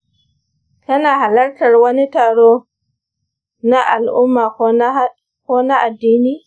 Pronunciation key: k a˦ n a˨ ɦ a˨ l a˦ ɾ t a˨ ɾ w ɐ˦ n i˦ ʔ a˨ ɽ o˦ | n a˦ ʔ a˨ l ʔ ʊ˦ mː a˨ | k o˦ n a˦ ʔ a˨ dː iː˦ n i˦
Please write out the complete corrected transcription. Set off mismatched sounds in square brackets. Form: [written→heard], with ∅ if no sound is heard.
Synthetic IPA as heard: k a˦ n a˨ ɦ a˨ l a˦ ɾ t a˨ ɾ w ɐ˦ n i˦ [ʔ→t] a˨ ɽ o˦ | n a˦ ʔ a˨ l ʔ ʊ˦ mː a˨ | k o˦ n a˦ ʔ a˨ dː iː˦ n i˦

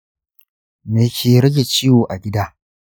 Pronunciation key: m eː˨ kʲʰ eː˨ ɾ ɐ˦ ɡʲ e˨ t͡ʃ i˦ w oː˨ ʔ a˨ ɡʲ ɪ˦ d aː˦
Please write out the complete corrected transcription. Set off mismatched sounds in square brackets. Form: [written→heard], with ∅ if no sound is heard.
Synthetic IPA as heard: m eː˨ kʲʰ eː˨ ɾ ɐ˦ ɡʲ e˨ t͡ʃ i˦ w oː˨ ʔ a˨ ɡʲ ɪ˦ d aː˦

